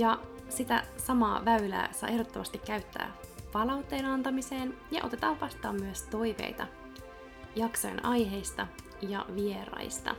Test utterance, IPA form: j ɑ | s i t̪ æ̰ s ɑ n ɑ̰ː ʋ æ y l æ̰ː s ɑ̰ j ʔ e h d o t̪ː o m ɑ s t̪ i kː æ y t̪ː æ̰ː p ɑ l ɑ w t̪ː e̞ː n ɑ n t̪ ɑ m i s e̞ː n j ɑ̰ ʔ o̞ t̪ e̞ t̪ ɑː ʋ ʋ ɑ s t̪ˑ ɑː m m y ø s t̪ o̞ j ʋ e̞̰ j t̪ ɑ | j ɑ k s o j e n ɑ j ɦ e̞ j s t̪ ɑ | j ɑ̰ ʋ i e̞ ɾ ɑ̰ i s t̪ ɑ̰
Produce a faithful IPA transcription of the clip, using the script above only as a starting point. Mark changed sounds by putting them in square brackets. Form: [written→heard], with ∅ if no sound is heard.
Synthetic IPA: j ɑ | s i t̪ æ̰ s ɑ [n→m] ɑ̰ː ʋ æ y l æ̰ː s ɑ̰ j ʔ e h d o t̪ː o m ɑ s t̪ i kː æ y t̪ː æ̰ː p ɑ l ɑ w t̪ː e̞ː n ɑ n t̪ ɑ m i s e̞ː n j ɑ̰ ʔ o̞ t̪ e̞ t̪ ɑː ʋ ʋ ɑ s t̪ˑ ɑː m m y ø s t̪ o̞ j ʋ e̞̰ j t̪ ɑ | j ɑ k s o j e n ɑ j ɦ e̞ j s t̪ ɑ | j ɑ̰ ʋ i e̞ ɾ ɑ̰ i s t̪ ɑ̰